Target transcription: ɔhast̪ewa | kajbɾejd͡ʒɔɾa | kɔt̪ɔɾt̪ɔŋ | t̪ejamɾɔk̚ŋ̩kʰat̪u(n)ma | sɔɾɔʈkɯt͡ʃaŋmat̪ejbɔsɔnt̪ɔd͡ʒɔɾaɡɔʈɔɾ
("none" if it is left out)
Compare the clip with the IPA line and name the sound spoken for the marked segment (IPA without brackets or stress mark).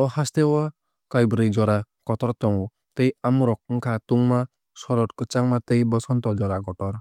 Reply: ŋ